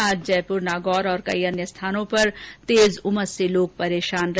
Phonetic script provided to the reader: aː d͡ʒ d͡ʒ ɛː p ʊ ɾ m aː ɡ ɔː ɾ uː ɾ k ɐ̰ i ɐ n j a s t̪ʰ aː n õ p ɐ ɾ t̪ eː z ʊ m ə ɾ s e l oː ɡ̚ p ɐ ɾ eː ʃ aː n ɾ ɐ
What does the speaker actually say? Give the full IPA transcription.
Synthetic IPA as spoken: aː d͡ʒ d͡ʒ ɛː p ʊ ɾ n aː ɡ ɔː ɾ ɔː ɾ k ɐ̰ i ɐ n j ə s t̪ʰ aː n õ p ɐ ɾ t̪ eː z ʊ m ə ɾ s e l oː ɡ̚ p ɐ ɾ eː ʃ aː n ɾ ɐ

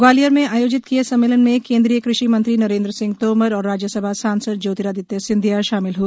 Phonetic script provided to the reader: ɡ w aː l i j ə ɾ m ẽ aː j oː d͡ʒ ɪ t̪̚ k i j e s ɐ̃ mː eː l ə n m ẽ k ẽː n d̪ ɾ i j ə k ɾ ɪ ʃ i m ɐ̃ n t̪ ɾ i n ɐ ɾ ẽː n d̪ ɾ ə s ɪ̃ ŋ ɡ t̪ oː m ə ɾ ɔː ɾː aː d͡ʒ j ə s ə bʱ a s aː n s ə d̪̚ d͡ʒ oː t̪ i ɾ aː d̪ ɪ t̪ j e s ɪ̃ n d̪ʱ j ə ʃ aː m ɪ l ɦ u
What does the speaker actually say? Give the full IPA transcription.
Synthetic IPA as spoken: ɡ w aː l i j ə ɾ m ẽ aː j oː d͡ʒ ɪ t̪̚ k i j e s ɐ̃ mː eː l ə n m ẽ k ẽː n d̪ ɾ i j ə k ɾ ɪ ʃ i m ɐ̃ n t̪ ɾ i n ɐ ɾ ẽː n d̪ ɾ ə s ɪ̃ ŋ ɡ t̪ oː m ə ɾ ɔː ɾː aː d͡ʒ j ə s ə bʱ a s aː n s ə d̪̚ d͡ʒ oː t̪ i ɾ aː d̪ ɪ t̪ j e s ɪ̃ n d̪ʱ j a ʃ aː m ɪ l ɦ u

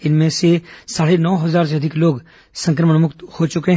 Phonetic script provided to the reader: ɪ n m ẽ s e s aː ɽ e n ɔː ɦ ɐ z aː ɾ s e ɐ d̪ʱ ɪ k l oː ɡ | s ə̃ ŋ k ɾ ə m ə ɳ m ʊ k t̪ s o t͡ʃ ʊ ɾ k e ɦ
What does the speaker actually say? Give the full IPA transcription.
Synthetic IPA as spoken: ɪ n m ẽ s e s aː ɽ e n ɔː ɦ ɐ z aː ɾ s e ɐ d̪ʱ ɪ k l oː ɡ | s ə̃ ŋ k ɾ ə m ə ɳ m ʊ k t̪ h o t͡ʃ ʊ k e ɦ

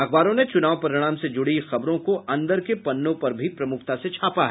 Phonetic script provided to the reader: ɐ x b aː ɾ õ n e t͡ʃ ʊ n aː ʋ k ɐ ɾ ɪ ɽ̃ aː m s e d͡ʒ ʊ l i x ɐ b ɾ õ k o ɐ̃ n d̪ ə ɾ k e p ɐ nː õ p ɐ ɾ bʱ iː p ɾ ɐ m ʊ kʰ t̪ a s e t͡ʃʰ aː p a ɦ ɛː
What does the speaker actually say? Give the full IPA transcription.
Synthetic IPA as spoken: ɐ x b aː ɾ õ n e t͡ʃ ʊ n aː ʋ p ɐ ɾ ɪ ɽ̃ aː m s e d͡ʒ ʊ ɽ i x ɐ b ɾ õ k o ɐ̃ n d̪ ə ɾ k e p ɐ nː õ p ɐ ɾ bʱ i p ɾ ɐ m ʊ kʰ t̪ a s e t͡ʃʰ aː p a ɦ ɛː

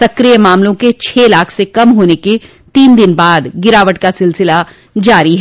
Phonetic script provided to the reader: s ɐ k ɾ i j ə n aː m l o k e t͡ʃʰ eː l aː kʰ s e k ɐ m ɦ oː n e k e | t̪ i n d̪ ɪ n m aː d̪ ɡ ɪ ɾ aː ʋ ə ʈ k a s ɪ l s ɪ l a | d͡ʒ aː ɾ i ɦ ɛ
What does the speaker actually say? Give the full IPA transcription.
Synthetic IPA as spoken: s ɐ k ɾ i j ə m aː m l õ k e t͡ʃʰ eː l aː kʰ s e k ɐ m ɦ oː n e k e | t̪ iː n d̪ ɪ n b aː d̪ ɡ ɪ ɾ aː ʋ ə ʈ k a s ɪ l s ɪ l a | d͡ʒ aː ɾ i ɦ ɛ

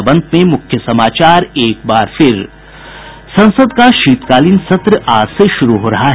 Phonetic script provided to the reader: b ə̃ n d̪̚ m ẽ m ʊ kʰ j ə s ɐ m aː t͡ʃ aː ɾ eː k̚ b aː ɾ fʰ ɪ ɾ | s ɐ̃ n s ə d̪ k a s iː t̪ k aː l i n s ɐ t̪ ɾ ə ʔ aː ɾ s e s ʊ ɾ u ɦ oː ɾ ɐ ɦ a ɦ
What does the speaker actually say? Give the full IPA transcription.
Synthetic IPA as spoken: b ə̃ n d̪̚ m ẽ m ʊ kʰ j ə s ɐ m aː t͡ʃ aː ɾ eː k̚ b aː ɾ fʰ ɪ ɾ | s ɐ̃ n s ə d̪ k a ʃ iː t̪ k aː l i n s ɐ t̪ ɾ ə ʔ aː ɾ s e ʃ ʊ ɾ u ɦ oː ɾ ɐ ɦ a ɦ

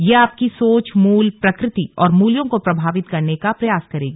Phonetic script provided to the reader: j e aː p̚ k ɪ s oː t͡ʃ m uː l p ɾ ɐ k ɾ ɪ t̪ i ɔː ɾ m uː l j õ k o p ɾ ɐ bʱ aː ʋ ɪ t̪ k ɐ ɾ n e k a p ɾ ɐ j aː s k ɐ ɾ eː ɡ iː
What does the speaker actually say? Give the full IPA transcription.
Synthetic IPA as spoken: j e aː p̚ k i s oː t͡ʃ m uː l p ɾ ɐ k ɾ ɪ t̪ i ɔː ɾ m uː l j õ k o p ɾ ɐ bʱ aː ʋ ɪ t̪ k ɐ ɾ n e k a p ɾ ɐ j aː s k ɐ ɾ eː ɡ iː

